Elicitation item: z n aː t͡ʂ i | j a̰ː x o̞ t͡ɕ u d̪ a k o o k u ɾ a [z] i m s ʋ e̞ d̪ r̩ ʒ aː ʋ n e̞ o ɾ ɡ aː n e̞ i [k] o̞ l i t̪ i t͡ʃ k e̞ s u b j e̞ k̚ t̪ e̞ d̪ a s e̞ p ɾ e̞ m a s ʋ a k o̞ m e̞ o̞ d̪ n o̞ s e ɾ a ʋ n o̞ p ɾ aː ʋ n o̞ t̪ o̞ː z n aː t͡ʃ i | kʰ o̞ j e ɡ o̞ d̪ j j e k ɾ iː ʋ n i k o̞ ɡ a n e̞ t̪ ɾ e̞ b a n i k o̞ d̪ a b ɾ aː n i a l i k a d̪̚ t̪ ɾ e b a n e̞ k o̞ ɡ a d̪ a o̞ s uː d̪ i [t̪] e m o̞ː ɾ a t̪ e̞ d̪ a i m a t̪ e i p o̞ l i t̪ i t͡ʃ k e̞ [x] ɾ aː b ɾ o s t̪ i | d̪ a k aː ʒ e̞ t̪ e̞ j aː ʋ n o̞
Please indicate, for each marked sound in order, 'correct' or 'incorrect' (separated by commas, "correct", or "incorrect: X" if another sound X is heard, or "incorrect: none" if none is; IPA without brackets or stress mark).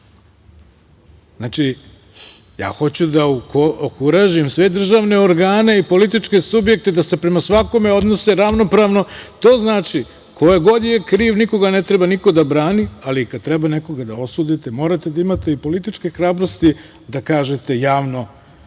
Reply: incorrect: ʒ, incorrect: p, correct, correct